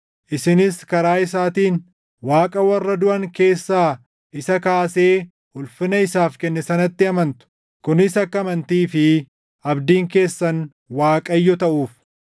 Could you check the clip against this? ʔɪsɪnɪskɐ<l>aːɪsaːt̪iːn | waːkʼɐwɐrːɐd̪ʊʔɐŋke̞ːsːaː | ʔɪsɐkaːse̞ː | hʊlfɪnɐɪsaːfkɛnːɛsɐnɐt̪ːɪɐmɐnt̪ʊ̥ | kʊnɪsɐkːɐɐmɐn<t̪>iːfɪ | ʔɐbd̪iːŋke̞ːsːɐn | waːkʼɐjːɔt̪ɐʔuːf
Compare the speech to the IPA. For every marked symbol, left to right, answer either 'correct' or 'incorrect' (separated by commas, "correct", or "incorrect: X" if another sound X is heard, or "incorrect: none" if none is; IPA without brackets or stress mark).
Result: incorrect: ɾ, correct